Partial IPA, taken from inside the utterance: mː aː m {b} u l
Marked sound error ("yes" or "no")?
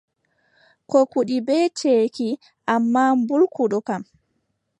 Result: no